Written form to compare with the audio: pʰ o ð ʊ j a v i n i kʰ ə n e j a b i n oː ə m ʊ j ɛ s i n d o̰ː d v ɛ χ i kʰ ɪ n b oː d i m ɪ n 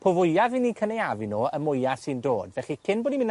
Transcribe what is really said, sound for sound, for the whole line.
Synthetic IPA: pʰ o v ʊ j a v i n i kʰ ə n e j a v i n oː ə m ʊ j a s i n d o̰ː d v ɛ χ i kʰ ɪ n b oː d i m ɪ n